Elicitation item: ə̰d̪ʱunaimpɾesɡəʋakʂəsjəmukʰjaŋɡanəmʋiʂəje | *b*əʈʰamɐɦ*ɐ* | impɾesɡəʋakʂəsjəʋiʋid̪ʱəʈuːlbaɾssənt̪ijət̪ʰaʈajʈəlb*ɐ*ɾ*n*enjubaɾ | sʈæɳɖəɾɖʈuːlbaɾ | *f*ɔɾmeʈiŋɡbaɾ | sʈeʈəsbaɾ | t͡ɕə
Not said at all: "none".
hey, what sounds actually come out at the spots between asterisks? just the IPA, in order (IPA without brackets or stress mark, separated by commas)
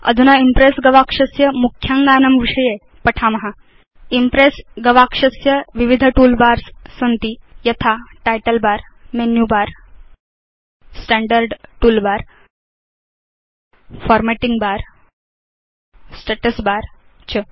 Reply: p, a, a, m, f